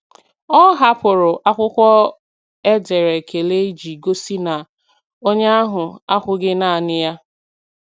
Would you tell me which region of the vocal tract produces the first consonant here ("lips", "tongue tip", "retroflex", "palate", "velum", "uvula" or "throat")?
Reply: throat